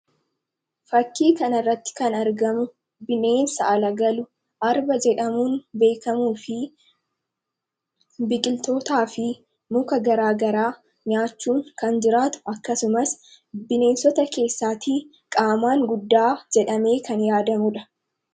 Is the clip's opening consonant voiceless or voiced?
voiceless